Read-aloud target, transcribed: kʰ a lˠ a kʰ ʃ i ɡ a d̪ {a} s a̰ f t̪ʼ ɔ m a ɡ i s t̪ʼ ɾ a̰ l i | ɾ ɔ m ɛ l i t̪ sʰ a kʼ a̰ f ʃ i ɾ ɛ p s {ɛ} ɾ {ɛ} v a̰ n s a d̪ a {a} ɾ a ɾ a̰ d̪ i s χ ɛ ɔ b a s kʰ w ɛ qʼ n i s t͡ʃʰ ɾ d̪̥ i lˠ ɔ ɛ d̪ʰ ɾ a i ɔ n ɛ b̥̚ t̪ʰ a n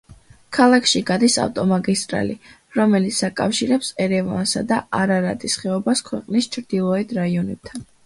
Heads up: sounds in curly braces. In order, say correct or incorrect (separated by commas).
incorrect, correct, correct, correct